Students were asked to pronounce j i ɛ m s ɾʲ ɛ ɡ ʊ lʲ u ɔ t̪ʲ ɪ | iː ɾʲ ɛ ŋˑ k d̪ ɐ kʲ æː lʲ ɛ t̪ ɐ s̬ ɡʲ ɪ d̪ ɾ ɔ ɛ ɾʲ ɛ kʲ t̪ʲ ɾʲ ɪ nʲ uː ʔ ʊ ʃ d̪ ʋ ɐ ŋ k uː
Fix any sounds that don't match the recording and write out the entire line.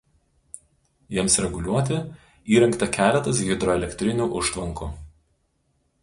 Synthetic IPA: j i ɛ m s ɾʲ ɛ ɡ ʊ lʲ u ɔ t̪ʲ ɪ | iː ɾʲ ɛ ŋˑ k t̪ ɐ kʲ æː lʲ ɛ t̪ ɐ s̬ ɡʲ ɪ d̪ ɾ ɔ ɛ lʲ ɛ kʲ t̪ʲ ɾʲ ɪ nʲ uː ʔ ʊ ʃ t̪ ʋ ɐ ŋ k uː

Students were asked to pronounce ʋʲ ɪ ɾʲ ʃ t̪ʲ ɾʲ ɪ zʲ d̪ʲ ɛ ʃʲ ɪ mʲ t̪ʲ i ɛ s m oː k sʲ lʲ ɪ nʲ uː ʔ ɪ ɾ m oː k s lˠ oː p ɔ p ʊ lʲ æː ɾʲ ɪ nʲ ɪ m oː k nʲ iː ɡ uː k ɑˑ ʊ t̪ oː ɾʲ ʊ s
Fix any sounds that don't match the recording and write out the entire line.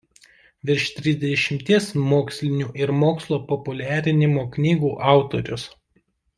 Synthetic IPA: ʋʲ ɪ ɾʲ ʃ t̪ʲ ɾʲ ɪ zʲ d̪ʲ ɛ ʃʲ ɪ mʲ t̪ʲ i ɛ s m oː k sʲ lʲ ɪ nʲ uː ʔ ɪ ɾ m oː k s lˠ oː p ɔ p ʊ lʲ æː ɾʲ ɪ nʲ ɪ m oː k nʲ iː ɡ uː ʔ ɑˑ ʊ t̪ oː ɾʲ ʊ s

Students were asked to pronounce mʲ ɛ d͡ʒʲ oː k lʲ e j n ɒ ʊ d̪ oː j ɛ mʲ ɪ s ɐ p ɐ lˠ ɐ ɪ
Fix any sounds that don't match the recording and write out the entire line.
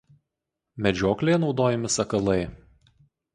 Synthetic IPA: mʲ ɛ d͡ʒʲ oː k lʲ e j n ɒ ʊ d̪ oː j ɛ mʲ ɪ s ɐ k ɐ lˠ ɐ ɪ

